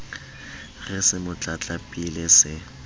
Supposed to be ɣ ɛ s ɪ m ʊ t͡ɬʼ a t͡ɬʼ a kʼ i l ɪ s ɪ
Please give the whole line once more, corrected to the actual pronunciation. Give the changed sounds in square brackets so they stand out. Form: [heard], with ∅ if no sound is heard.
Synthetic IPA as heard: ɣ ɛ s ɪ m ʊ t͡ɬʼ a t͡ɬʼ a [pʼ] i l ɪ s ɪ